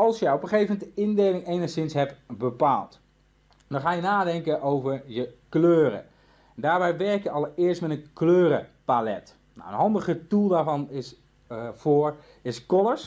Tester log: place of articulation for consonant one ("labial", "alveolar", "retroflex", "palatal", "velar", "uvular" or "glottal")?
alveolar